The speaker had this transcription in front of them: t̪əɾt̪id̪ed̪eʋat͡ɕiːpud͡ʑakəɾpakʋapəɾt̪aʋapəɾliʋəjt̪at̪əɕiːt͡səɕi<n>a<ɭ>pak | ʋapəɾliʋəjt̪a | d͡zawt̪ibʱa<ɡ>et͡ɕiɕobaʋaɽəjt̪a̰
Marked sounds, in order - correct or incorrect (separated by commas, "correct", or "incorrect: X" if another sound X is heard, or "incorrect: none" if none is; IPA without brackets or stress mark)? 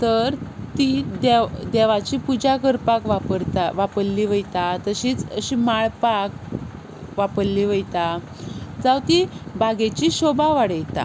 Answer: incorrect: m, correct, correct